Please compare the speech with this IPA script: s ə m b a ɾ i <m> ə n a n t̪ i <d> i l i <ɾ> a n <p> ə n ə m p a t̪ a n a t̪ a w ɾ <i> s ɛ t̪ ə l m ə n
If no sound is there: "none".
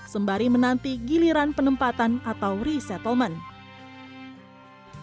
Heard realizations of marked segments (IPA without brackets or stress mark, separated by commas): m, ɡ, ɾ, p, i